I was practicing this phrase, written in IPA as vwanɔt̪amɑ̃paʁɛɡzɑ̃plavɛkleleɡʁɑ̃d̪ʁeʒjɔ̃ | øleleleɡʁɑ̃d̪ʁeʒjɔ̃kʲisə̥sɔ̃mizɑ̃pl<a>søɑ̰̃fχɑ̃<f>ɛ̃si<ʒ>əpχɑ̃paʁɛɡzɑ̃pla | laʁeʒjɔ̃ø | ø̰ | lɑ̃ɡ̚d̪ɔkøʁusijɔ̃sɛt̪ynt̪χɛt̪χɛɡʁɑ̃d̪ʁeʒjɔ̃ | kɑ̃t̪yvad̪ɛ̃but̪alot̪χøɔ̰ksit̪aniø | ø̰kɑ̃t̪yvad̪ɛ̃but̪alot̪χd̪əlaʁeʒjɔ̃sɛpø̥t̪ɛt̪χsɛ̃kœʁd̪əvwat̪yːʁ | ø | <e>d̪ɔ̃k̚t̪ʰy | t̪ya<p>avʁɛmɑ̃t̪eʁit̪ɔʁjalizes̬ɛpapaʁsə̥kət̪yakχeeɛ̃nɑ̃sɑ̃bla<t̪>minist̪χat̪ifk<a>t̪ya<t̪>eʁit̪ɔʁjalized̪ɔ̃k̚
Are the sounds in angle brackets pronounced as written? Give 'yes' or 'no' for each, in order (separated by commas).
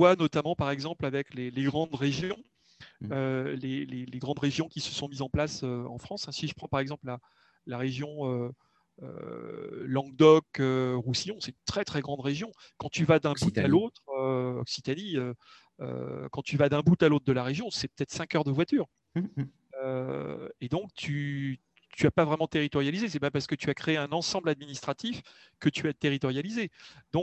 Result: yes, no, yes, yes, yes, no, no, yes